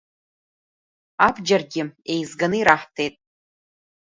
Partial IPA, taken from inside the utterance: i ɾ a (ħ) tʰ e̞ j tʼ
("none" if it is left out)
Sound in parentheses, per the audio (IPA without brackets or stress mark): ħ